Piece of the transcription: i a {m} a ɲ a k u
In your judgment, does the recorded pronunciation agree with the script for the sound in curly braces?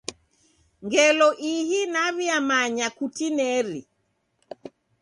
yes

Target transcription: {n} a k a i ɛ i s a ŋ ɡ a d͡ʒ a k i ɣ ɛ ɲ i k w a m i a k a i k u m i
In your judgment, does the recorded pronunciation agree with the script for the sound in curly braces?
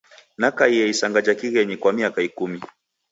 yes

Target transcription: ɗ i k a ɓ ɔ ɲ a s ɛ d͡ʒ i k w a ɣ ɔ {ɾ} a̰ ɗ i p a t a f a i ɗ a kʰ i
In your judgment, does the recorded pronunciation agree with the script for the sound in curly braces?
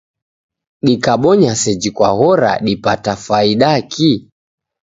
yes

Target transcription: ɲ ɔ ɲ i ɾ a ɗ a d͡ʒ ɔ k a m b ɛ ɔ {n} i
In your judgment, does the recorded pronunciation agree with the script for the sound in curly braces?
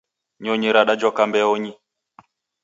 no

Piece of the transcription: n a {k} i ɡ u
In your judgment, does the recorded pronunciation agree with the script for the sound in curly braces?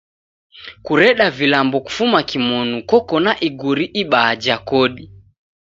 no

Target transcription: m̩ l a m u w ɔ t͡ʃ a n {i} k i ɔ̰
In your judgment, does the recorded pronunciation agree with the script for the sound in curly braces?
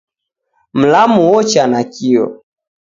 no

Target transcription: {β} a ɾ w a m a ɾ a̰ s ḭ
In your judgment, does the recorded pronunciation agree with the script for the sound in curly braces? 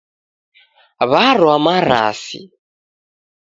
yes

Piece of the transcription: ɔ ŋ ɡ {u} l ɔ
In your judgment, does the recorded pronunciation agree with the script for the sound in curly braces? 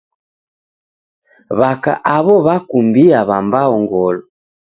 no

